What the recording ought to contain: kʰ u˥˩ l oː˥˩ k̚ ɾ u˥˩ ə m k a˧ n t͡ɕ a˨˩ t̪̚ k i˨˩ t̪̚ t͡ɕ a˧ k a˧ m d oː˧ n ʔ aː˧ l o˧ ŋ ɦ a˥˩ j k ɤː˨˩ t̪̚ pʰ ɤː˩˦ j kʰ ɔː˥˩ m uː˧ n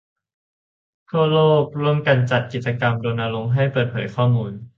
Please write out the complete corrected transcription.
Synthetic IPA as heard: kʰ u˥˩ l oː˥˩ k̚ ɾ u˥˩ ə m k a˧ n t͡ɕ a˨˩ t̪̚ k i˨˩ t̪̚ t͡ɕ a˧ k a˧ m d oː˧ n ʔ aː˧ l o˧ ŋ ɦ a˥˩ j p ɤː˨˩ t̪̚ pʰ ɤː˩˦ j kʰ ɔː˥˩ m uː˧ n